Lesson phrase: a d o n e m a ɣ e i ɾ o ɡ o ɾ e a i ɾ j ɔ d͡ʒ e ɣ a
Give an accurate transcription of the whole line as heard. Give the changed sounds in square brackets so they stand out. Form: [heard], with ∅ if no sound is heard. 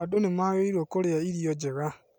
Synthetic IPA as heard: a d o n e m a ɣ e i ɾ o [k] o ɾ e a i ɾ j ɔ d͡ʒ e ɣ a